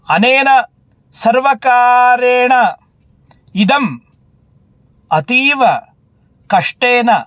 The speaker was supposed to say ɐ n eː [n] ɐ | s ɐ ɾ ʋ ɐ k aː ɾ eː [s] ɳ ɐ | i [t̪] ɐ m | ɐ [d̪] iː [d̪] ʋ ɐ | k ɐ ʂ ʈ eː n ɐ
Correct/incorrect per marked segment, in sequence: correct, incorrect: none, incorrect: d̪, incorrect: t̪, incorrect: none

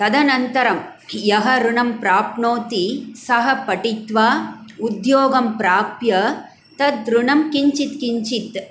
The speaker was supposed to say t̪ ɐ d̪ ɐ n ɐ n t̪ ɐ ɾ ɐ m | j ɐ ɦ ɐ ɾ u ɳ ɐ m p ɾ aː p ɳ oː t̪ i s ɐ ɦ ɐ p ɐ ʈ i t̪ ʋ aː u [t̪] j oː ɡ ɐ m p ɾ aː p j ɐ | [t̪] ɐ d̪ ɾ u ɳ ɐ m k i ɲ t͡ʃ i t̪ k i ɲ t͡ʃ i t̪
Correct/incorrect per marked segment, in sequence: incorrect: d̪, correct

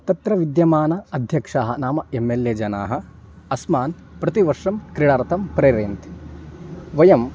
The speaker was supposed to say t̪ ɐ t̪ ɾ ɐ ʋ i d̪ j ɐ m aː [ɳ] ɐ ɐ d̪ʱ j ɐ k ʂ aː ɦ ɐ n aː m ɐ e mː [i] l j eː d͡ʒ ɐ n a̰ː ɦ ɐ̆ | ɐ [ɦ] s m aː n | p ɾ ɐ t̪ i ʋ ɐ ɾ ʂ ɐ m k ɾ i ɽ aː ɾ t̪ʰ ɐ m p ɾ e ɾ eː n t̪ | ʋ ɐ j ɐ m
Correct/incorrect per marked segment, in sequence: incorrect: n, incorrect: e, incorrect: none

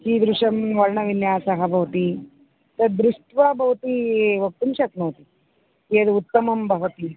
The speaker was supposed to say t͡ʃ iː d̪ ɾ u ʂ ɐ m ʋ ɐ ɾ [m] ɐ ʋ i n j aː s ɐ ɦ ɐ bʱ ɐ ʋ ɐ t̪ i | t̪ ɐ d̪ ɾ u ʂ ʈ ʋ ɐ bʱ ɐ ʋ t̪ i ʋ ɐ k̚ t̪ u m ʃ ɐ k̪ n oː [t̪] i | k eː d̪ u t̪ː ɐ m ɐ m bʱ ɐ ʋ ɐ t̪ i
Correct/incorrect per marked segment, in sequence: incorrect: ɳ, correct

